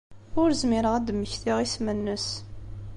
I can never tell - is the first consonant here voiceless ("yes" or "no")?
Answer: no